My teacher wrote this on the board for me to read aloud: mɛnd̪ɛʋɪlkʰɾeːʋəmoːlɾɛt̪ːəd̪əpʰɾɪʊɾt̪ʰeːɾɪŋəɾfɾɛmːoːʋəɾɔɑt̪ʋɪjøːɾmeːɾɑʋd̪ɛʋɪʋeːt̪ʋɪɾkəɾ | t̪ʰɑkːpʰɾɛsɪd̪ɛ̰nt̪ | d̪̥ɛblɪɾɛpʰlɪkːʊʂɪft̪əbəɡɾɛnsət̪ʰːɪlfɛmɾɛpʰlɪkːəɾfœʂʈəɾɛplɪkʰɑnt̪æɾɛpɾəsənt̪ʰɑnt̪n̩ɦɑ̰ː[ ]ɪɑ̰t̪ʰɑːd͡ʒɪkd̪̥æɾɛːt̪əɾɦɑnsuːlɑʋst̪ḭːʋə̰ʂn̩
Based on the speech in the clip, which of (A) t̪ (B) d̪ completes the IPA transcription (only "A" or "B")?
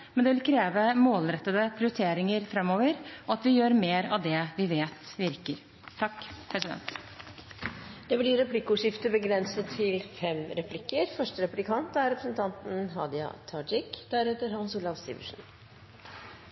B